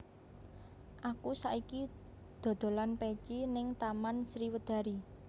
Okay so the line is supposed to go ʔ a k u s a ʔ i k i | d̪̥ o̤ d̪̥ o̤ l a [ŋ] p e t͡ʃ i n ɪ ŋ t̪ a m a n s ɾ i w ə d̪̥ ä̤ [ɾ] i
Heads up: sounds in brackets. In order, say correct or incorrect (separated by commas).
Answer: incorrect, correct